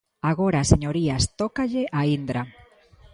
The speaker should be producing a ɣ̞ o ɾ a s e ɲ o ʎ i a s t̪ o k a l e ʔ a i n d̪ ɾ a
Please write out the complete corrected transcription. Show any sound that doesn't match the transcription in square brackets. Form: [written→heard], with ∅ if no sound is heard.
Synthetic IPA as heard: a ɣ̞ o ɾ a s e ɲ o [ʎ→ɾ] i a s t̪ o k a [l→ʎ] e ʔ a i n d̪ ɾ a